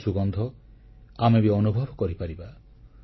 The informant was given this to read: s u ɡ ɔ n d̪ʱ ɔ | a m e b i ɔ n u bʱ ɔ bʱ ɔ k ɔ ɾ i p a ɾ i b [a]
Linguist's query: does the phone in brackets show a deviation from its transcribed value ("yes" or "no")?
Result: no